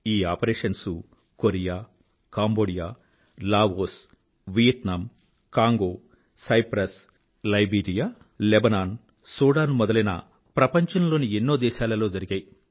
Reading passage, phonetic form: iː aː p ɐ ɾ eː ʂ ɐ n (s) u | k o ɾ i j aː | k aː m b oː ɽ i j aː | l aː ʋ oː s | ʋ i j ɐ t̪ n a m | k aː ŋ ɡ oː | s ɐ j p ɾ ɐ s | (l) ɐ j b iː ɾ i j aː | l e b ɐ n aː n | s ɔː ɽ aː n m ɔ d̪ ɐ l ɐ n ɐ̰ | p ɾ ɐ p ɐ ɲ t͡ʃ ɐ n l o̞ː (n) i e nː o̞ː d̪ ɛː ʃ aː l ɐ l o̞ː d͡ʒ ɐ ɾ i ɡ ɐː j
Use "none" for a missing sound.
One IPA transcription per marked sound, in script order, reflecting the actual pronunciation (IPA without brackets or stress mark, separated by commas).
s, l, n